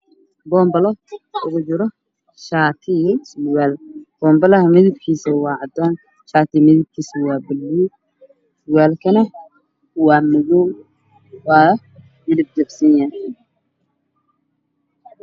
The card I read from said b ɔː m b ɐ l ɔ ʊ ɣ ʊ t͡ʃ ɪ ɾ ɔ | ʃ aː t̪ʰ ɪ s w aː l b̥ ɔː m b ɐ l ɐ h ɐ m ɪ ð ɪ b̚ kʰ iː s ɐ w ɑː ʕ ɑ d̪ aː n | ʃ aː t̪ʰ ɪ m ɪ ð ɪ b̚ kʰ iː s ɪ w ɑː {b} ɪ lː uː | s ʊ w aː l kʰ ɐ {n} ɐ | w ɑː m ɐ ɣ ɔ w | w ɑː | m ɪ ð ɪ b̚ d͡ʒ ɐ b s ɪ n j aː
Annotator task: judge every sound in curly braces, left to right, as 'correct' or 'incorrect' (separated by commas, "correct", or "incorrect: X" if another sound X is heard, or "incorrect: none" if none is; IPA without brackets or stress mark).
correct, correct